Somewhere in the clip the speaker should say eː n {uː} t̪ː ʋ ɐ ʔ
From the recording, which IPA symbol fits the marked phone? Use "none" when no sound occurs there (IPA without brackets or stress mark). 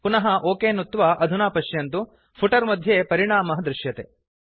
u